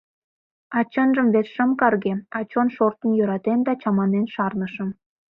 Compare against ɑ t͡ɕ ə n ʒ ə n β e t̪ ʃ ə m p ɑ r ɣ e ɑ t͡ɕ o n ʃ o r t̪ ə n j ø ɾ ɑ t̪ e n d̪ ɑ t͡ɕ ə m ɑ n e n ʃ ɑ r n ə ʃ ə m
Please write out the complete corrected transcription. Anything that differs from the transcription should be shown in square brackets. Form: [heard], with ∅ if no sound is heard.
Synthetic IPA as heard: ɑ t͡ɕ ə n ʒ ə [m] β e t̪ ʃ ə m [k] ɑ r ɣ e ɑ t͡ɕ o n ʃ o r t̪ ə n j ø ɾ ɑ t̪ e n d̪ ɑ t͡ɕ [ɑ] m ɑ n e n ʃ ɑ r n ə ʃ ə m